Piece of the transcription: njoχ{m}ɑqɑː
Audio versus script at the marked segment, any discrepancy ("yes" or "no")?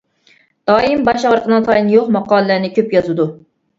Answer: no